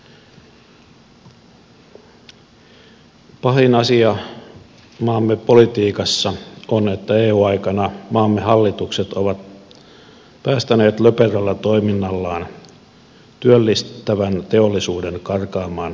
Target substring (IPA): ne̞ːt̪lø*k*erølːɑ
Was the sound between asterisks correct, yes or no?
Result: no